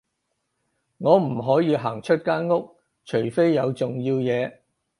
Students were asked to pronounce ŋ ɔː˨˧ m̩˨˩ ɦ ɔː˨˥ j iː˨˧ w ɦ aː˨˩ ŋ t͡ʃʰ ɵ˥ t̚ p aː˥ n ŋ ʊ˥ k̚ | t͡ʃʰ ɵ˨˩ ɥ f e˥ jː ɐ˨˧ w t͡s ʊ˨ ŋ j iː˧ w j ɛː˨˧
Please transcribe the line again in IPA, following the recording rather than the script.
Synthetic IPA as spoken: ŋ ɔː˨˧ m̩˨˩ ɦ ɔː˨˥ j iː˨˧ ɦ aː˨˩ ŋ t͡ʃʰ ɵ˥ t̚ k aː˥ n ŋ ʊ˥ k̚ | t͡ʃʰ ɵ˨˩ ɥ f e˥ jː ɐ˨˧ w t͡s ʊ˨ ŋ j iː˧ w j ɛː˨˧